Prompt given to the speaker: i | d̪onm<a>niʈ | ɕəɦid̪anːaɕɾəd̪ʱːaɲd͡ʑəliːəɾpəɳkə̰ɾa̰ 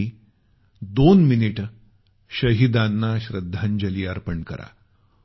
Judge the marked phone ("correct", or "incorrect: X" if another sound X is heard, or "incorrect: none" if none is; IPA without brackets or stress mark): incorrect: i